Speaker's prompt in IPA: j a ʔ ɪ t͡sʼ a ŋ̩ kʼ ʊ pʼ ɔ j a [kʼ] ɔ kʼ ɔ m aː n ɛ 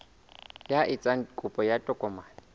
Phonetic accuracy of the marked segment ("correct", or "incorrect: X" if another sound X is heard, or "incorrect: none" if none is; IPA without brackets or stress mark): incorrect: tʼ